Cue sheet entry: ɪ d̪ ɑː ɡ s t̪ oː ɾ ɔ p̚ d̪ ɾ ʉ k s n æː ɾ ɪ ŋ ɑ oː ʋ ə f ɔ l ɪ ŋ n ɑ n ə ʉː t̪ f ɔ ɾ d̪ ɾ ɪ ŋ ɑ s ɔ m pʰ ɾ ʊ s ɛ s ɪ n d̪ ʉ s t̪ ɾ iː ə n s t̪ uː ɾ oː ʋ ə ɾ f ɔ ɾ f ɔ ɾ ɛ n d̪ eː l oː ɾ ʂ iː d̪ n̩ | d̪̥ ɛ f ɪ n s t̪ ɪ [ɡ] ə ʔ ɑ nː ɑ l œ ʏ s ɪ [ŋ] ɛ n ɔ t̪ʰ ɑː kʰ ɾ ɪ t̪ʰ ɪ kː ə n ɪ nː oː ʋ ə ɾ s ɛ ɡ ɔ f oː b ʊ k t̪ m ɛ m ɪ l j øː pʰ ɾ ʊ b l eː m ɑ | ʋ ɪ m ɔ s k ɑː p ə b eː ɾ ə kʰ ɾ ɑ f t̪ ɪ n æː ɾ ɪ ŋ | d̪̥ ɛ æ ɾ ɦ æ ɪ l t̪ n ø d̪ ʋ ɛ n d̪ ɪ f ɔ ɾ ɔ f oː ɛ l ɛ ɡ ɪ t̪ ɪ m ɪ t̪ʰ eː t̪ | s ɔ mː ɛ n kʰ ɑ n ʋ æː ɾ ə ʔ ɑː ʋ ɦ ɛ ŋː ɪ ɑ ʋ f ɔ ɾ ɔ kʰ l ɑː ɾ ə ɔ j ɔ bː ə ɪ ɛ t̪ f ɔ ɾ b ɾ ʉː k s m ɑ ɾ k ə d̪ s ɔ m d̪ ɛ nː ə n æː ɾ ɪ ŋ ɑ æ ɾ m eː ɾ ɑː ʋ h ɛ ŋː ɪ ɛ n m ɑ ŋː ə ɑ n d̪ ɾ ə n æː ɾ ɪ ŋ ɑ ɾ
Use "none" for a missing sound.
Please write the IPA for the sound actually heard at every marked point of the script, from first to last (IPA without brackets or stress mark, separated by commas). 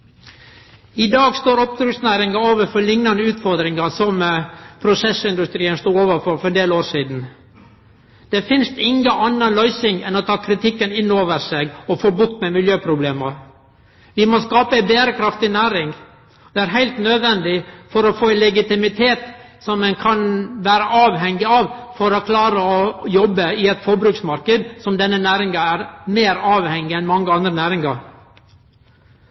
ŋ, ŋ